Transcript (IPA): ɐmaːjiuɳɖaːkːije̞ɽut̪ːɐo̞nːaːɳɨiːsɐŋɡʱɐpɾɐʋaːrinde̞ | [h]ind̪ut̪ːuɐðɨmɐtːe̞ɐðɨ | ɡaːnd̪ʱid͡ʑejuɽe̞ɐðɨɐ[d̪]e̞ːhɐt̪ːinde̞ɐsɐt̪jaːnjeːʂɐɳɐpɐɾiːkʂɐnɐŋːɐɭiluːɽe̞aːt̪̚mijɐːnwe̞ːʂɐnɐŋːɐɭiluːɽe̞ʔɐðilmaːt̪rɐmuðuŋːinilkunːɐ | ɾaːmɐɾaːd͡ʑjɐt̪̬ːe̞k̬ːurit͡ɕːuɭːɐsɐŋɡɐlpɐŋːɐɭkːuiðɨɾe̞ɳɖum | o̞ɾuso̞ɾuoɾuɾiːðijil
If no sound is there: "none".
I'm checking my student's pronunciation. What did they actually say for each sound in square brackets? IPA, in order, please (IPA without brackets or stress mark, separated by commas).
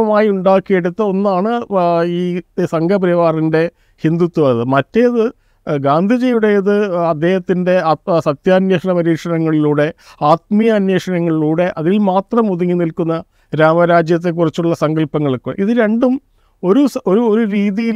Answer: h, d̪ː